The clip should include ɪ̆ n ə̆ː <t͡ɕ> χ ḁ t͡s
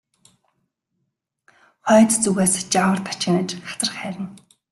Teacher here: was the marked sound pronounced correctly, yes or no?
yes